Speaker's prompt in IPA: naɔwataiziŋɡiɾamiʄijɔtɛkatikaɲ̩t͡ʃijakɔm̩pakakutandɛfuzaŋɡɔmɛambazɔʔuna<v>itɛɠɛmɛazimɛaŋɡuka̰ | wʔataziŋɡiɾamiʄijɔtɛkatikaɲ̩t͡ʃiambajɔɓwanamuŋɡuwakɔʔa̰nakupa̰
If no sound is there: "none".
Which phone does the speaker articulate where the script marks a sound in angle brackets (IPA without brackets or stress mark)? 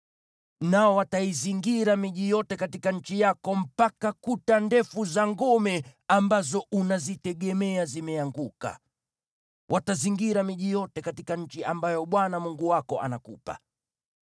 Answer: z